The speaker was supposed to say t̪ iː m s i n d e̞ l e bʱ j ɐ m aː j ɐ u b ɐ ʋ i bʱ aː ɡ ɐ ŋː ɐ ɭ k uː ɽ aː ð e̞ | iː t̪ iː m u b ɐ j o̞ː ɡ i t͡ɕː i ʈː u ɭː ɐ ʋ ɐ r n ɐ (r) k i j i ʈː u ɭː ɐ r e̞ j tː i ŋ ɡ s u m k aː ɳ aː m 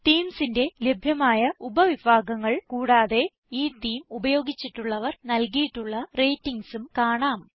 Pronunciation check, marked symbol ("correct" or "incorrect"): incorrect